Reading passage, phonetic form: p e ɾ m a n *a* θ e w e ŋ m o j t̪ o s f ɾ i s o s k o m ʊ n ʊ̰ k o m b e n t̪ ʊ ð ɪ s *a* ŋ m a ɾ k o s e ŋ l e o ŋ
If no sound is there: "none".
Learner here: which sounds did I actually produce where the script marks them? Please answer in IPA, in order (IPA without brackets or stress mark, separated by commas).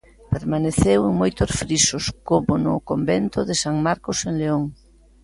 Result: e, a